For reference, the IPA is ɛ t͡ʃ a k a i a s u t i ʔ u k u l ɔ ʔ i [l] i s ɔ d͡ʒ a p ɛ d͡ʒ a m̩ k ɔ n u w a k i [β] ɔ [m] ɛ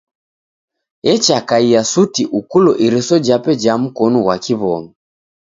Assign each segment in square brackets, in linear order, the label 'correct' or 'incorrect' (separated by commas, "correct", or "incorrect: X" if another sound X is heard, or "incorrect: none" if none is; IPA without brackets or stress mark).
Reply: incorrect: ɾ, correct, correct